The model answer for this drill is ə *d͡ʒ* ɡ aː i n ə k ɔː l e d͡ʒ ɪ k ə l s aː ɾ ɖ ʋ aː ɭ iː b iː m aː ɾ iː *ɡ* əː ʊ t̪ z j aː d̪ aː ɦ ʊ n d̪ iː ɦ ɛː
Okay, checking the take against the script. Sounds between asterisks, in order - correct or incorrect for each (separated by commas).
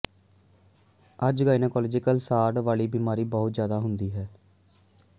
correct, incorrect